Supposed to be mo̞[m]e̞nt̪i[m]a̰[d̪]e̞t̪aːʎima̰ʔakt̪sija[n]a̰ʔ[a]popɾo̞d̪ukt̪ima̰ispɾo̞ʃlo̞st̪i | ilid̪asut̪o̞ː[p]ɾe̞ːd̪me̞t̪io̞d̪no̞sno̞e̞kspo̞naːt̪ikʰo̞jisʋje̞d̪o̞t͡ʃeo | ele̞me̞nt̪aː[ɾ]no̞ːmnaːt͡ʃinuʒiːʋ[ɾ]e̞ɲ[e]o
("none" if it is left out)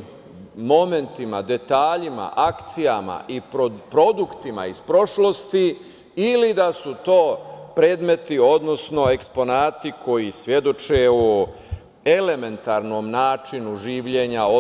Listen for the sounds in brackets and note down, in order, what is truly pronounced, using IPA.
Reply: m, m, d̪, m, i, p, ɾ, ʎ, a

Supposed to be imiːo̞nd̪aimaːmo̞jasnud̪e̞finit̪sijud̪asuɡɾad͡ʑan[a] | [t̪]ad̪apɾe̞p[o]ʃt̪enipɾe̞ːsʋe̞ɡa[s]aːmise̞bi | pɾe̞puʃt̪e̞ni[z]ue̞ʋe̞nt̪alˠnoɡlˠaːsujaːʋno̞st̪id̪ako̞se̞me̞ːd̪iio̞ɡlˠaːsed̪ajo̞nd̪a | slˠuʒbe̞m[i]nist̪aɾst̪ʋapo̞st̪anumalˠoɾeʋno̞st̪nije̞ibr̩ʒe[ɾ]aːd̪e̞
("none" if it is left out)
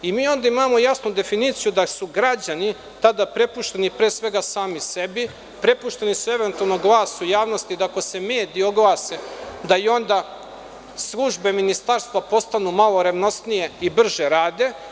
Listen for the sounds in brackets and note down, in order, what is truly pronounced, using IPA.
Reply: i, t̪, u, s, s, i, ɾ

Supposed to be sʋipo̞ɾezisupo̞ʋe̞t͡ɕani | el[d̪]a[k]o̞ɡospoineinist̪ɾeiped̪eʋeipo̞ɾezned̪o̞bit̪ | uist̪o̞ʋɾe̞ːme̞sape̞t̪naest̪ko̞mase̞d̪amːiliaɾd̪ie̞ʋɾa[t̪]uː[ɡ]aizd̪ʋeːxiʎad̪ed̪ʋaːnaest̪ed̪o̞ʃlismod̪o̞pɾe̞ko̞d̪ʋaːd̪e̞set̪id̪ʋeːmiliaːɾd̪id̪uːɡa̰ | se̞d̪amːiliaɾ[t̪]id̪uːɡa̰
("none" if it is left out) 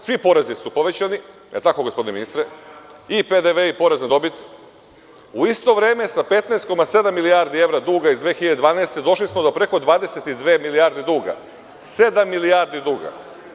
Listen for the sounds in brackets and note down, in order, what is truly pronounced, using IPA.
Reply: t̪, k, d̪, ɡ, d̪

